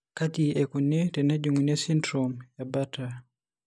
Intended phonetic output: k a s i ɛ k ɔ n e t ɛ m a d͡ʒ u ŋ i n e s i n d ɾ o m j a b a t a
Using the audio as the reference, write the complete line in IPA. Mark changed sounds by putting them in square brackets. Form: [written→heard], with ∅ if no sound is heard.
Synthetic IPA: k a [s→t] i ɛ k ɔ n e t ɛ [m→n] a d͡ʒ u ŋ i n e s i n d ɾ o m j a b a t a